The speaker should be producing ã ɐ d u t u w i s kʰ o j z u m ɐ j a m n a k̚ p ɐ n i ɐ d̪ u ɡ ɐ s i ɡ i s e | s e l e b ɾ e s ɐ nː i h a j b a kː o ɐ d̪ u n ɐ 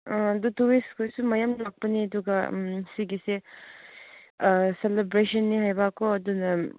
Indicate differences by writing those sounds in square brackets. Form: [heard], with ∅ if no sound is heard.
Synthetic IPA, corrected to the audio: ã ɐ d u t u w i s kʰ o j [s] u m ɐ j a m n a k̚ p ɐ n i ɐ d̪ u ɡ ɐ s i ɡ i s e | s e l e b ɾ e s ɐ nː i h a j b a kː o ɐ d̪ u n ɐ

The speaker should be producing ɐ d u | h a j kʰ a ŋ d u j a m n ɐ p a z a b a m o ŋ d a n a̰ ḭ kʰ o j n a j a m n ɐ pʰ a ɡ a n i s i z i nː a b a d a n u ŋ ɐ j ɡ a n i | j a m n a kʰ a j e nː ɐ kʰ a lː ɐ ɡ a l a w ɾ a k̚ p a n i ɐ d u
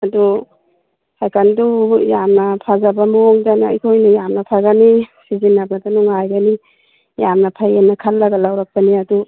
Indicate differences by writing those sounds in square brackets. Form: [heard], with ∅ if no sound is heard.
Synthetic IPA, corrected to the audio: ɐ d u | h a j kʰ a [n] d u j a m n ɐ [pʰ] a z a b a m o ŋ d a n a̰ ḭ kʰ o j n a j a m n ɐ pʰ a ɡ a n i s i z i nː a b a d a n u ŋ [a] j ɡ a n i | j a m n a [pʰ] a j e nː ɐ kʰ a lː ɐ ɡ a l a w ɾ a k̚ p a n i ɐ d u

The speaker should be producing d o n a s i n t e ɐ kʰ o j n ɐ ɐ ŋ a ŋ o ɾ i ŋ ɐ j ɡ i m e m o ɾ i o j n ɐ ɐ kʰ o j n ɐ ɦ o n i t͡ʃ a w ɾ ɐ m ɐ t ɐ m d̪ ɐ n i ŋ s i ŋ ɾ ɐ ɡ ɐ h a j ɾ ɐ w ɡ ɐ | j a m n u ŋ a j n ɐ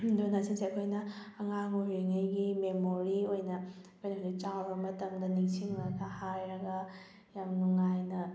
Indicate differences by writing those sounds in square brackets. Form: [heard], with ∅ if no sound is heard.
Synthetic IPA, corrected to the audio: d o n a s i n [s] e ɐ kʰ o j n ɐ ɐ ŋ a ŋ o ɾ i ŋ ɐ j ɡ i m e m o ɾ i o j n ɐ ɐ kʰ o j n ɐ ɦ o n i t͡ʃ a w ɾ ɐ m ɐ t ɐ m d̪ ɐ n i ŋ s i ŋ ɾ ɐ ɡ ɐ h a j ɾ ɐ [∅] ɡ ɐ | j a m n u ŋ a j n ɐ

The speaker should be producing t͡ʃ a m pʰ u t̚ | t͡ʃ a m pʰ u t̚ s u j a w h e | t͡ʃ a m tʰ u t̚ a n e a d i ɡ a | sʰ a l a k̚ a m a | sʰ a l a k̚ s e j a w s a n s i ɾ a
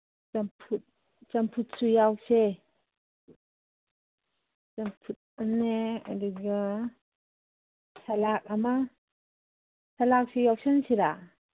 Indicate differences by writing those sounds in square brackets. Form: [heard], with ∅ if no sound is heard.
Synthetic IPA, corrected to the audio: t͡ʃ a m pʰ u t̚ | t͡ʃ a m pʰ u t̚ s u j a w [s] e | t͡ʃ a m [pʰ] u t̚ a n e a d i ɡ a | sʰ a l a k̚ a m a | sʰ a l a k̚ s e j a w s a n s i ɾ a

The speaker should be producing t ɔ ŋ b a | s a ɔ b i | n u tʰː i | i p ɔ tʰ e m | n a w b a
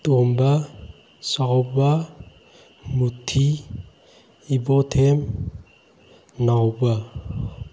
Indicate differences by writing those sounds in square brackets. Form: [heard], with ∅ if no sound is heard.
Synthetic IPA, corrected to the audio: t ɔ [m] b a | s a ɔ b [a] | [m] u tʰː i | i [b] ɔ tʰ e m | n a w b a

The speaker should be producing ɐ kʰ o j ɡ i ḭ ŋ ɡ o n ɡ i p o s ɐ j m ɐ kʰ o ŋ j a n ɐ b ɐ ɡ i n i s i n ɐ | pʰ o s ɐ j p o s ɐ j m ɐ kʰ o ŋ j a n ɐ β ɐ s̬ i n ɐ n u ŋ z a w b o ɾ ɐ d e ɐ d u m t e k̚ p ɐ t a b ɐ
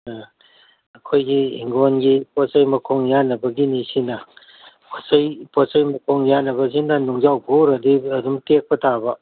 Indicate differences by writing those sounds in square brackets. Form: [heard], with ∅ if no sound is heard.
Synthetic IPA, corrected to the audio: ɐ kʰ o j ɡ i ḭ ŋ ɡ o n ɡ i p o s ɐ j m ɐ kʰ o ŋ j a n ɐ b ɐ ɡ i n i s i n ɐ | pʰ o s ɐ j p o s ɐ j m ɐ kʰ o ŋ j a n ɐ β ɐ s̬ i n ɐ n u ŋ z a w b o ɾ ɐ d [i] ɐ d u m t e k̚ p ɐ t a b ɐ

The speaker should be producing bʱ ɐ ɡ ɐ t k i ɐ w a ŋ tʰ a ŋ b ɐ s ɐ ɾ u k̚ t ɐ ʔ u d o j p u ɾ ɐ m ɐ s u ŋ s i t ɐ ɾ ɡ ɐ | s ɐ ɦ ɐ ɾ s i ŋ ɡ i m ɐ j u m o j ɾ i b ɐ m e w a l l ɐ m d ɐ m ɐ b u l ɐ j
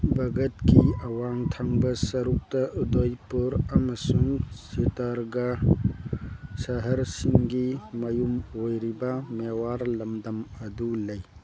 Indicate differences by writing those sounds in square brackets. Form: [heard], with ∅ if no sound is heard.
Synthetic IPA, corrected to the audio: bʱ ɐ ɡ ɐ t k i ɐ w a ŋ tʰ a ŋ b ɐ s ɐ ɾ u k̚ t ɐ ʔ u d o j p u ɾ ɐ m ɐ s u ŋ s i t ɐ ɾ ɡ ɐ | s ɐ ɦ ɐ ɾ s i ŋ ɡ i m ɐ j u m o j ɾ i b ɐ m e w a [ɾ] l ɐ m d ɐ m ɐ [d] u l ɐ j

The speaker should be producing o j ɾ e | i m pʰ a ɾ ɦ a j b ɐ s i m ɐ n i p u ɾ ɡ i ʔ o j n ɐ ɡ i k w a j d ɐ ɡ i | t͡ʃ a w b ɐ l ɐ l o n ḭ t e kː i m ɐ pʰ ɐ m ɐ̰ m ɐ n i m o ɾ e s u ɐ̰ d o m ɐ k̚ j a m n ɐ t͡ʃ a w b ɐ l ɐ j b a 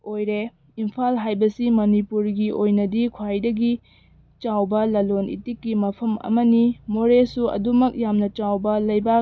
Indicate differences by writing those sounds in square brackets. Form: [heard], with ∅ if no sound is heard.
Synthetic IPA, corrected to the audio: o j ɾ e | i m pʰ a [l] ɦ a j b ɐ s i m ɐ n i p u ɾ ɡ i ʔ o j n ɐ [d] i [kʰ] w a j d ɐ ɡ i | t͡ʃ a w b ɐ l ɐ l o n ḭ t [i] kː i m ɐ pʰ ɐ m ɐ̰ m ɐ n i m o ɾ e s u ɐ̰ d [u] m ɐ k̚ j a m n ɐ t͡ʃ a w b ɐ l ɐ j b a

